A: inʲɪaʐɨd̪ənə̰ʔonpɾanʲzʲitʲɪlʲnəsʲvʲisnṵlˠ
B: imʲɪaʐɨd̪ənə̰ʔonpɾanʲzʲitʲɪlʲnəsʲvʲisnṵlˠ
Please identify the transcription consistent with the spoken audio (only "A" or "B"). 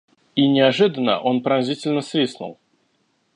A